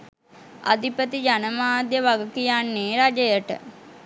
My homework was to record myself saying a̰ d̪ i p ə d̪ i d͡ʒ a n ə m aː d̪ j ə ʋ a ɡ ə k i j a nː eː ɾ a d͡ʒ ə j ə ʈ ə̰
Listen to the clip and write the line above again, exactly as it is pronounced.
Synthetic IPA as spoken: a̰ d̪ i p ə t̪ i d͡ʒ a n ə m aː d̪ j ə ʋ a ɡ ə k i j a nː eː ɾ a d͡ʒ ə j ə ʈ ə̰

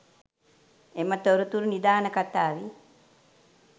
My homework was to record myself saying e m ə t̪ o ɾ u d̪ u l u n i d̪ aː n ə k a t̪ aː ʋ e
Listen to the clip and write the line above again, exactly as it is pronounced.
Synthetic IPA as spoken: e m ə t̪ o ɾ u t̪ u ɾ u n i d̪ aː n ə k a t̪ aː ʋ i

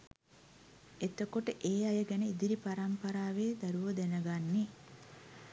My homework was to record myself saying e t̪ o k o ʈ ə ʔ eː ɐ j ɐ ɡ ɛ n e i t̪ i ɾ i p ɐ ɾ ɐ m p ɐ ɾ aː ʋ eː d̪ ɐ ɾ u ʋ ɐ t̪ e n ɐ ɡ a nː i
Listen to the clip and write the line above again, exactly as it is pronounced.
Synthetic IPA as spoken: e t̪ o k o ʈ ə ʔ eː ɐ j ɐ ɡ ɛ n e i d̪ i ɾ i p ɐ ɾ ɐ m p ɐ ɾ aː ʋ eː d̪ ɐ ɾ u ʋ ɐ d̪ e n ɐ ɡ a nː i

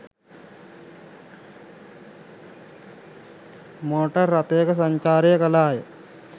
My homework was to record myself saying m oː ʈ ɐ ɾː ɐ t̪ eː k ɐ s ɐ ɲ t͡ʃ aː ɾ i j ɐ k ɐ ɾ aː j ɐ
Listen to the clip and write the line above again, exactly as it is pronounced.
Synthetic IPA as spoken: m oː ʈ ɐ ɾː ɐ t̪ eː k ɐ s ɐ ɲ t͡ʃ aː ɾ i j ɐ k ɐ l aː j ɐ

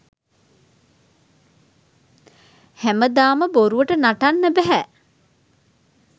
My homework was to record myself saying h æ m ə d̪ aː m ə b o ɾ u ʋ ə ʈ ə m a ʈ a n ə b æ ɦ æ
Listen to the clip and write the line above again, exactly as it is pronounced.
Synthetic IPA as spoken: h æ m ə d̪ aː m ə b o ɾ u ʋ ə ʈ ə n a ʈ a nː ə b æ ɦ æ

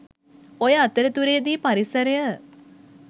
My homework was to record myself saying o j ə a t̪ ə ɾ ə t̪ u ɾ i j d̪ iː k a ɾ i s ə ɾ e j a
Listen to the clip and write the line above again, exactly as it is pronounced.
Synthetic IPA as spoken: o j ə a t̪ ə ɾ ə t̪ u ɾ e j d̪ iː p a ɾ i s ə ɾ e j ə

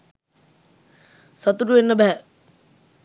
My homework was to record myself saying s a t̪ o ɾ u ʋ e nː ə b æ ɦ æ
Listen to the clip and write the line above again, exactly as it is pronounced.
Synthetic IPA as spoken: s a t̪ u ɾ u ʋ e nː ə b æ ɦ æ

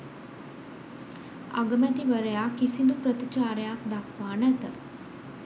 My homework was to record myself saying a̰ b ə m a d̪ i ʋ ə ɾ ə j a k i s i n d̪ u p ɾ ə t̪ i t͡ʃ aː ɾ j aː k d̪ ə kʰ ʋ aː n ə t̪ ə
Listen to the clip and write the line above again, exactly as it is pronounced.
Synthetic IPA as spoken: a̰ ɡ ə m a t̪ i ʋ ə ɾ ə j a k i s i n d̪ u p ɾ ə t̪ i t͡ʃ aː ɾ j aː k d̪ a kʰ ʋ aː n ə t̪ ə

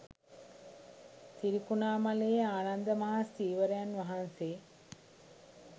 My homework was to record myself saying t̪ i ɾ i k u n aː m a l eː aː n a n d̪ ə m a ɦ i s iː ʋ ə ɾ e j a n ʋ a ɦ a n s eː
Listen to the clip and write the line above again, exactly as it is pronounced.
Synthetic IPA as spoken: t̪ i ɾ i k u n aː m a l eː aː n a n d̪ ə m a ɦ a s iː ʋ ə ɾ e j a n ʋ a ɦ a n s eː

